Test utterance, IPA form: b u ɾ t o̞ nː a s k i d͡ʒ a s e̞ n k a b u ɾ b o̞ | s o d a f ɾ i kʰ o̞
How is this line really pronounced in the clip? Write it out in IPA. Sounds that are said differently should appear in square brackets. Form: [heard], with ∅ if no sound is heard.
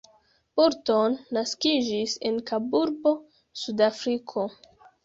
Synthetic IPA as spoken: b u ɾ t o̞ nː a s k i d͡ʒ [i] s e̞ n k a b u ɾ b o̞ | s [u] d a f ɾ i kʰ o̞